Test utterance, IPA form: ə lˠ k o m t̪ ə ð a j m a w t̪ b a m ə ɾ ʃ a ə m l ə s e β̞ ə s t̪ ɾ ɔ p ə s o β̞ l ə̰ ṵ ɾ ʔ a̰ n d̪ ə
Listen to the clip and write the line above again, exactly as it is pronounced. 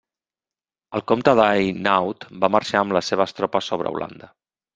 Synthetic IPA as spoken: ə lˠ k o m t̪ ə ð a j n a w t̪ b a m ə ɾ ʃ a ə m l ə s e β̞ ə s t̪ ɾ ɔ p ə s o β̞ ɾ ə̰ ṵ l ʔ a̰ n d̪ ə